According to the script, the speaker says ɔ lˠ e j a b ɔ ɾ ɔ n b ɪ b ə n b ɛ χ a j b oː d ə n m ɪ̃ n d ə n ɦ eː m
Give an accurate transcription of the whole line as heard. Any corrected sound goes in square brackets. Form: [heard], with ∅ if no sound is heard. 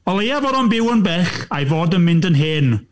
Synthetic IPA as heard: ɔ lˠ e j a [v] ɔ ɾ ɔ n b ɪ [w] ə n b ɛ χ a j [v] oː d ə n m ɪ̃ n d ə n ɦ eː [n]